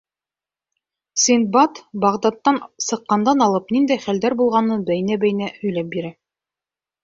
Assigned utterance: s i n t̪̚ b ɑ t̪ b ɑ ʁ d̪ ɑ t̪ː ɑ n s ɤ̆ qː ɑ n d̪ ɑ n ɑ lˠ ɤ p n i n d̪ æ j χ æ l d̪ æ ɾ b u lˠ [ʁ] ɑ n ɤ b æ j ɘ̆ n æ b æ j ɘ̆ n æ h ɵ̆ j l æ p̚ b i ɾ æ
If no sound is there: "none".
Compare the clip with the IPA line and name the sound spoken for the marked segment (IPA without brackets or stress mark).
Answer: ʁ